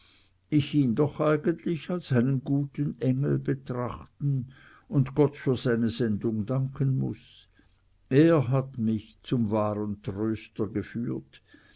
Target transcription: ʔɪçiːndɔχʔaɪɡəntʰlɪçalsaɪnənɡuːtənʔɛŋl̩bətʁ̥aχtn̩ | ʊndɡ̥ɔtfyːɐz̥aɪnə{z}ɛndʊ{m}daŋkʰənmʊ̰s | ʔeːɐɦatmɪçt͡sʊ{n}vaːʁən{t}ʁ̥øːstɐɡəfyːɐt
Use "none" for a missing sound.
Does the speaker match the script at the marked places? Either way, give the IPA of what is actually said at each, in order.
z, ŋ, m, t

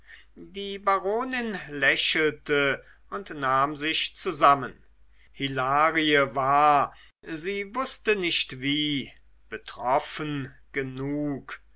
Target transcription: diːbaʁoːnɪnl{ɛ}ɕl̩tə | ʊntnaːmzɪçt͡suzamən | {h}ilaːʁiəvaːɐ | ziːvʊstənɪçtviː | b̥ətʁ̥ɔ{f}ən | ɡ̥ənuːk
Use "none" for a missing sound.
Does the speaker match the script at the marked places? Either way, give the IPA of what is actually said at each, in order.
ɛ, h, f

